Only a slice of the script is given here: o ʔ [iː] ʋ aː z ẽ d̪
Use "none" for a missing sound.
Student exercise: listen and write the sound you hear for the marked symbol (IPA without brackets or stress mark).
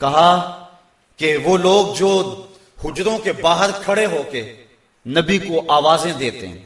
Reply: aː